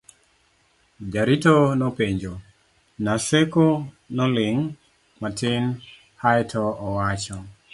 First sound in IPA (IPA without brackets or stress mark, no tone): d͡ʒ